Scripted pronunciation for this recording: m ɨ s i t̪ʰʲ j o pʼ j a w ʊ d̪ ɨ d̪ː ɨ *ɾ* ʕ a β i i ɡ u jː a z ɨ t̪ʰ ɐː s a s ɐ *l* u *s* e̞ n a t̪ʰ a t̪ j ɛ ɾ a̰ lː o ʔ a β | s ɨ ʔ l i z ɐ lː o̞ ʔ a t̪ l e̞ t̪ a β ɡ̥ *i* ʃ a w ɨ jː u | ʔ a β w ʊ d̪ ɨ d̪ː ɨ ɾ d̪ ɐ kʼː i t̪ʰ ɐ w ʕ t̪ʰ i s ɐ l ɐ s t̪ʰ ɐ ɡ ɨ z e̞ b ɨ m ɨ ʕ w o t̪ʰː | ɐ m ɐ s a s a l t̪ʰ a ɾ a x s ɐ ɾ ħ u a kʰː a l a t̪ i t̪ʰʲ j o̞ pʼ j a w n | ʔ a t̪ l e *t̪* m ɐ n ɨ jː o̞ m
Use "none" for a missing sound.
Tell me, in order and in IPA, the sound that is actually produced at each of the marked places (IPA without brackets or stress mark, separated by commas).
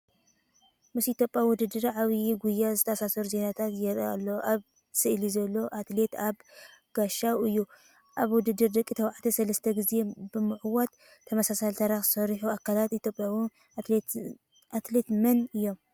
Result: ɾ, ɾ, z, a, t̪